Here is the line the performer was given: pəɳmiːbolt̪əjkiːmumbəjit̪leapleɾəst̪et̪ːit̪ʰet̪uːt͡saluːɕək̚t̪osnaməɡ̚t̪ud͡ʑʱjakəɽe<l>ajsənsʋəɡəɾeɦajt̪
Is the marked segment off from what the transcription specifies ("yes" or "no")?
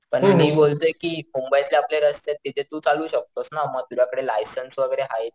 no